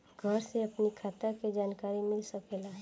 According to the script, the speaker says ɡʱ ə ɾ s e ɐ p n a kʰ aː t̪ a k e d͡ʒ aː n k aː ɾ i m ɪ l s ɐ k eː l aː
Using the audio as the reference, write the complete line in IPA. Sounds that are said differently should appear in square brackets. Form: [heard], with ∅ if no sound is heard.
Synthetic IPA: ɡʱ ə ɾ s e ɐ p n [i] kʰ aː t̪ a k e d͡ʒ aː n k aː ɾ i m ɪ l s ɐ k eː l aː